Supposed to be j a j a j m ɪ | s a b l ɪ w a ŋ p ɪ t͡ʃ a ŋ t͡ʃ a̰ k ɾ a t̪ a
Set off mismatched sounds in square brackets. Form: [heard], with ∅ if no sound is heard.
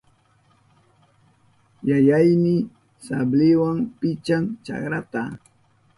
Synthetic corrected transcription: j a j a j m ɪ | s a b l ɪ w a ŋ p ɪ t͡ʃ a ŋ t͡ʃ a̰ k ɾ a t̪ a